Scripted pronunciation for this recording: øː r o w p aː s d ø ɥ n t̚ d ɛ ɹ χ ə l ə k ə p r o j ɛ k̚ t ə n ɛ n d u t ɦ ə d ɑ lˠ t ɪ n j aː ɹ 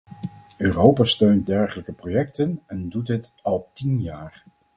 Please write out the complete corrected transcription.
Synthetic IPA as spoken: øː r o w p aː s t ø ɥ n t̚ d ɛ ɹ χ ə l ə k ə p r o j ɛ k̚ t ə n ɛ n d u t ɦ ə t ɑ lˠ t i n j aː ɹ